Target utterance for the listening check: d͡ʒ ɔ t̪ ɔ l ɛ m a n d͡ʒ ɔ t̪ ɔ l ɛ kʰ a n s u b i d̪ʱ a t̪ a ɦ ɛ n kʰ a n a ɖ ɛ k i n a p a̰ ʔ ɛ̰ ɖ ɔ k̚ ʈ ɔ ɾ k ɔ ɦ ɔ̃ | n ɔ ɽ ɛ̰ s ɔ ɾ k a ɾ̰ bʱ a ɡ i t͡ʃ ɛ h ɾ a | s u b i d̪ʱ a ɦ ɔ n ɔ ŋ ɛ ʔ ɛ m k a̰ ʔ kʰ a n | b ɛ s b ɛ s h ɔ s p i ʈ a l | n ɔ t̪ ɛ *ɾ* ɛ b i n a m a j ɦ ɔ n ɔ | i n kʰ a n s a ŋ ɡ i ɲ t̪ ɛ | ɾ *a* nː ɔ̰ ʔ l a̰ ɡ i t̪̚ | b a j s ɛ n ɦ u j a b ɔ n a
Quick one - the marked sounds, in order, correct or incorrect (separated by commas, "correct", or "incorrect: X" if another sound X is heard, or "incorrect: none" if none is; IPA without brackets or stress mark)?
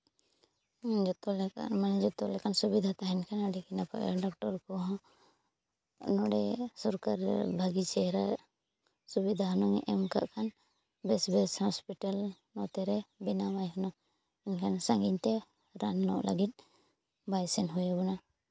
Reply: correct, correct